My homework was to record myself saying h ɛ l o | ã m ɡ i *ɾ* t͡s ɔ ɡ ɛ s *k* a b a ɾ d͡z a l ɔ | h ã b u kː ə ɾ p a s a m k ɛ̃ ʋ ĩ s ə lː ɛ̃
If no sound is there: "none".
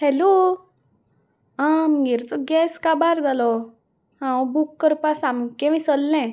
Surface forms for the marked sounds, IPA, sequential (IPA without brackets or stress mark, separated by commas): ɾ, k